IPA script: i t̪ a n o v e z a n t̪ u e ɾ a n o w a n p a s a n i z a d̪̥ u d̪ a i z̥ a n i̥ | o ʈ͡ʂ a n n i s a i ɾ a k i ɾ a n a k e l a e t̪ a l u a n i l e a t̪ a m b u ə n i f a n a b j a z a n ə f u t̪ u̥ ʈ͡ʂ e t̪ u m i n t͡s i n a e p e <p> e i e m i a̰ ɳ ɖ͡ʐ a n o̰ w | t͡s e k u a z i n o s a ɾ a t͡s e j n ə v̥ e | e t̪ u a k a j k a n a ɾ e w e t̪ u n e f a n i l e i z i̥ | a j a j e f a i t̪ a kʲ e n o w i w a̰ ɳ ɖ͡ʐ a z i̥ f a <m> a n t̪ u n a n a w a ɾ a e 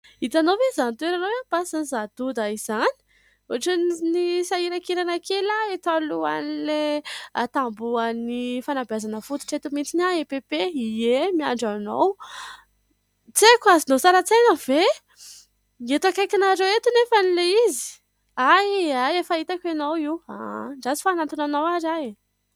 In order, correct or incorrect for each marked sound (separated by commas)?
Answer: correct, incorrect